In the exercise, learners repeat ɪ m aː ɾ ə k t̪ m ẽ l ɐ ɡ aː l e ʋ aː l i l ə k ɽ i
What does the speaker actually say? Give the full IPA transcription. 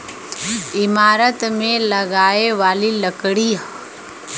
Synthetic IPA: ɪ m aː ɾ ə t̪ m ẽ l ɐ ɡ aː e ʋ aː l i l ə k ɽ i